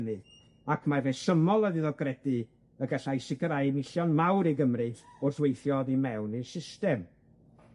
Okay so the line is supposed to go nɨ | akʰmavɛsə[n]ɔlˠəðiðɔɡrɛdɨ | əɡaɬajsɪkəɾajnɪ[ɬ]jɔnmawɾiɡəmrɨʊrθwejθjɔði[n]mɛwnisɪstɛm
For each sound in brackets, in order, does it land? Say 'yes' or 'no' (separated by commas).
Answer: no, yes, no